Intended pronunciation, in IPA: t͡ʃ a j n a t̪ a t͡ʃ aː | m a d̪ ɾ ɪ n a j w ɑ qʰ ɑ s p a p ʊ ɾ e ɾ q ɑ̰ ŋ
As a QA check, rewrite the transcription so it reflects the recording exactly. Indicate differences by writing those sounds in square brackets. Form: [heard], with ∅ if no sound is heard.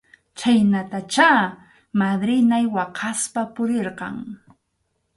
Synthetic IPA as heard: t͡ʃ a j n a t̪ a t͡ʃ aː | m a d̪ ɾ ɪ n a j w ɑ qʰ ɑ s p a p ʊ ɾ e ɾ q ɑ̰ ŋ